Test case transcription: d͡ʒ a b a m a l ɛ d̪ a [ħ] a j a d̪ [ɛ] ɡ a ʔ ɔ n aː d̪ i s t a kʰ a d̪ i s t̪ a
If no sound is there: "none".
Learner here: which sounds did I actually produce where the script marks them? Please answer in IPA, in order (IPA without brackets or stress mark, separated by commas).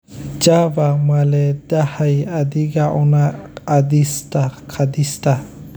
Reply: h, i